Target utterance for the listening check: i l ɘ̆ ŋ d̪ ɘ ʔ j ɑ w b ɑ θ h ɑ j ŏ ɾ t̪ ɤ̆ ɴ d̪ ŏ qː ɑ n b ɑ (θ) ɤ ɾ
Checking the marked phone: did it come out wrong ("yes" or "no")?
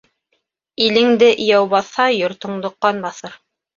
no